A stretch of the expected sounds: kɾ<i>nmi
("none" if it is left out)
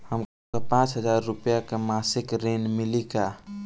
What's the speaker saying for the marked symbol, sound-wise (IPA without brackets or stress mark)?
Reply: e